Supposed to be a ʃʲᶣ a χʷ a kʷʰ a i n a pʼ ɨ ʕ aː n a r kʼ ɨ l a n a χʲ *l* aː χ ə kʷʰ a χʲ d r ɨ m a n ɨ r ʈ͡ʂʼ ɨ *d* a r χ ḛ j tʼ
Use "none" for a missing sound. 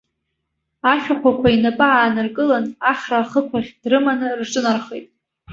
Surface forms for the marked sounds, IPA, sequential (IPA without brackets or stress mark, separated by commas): r, n